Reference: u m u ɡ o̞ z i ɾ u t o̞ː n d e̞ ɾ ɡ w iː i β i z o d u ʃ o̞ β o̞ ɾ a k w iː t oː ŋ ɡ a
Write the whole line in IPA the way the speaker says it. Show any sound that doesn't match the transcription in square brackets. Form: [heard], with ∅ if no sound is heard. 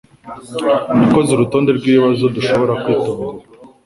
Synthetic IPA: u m u [k] o̞ z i ɾ u t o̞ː n d e̞ ɾ ɡ w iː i β [a] z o d u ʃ o̞ β o̞ ɾ a k w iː t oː ŋ ɡ a